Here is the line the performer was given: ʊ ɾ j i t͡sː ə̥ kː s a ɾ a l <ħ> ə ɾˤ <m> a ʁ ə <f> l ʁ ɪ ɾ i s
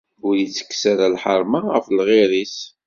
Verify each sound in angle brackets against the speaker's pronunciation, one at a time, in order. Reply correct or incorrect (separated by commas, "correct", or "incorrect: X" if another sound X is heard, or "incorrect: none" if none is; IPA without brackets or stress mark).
correct, correct, correct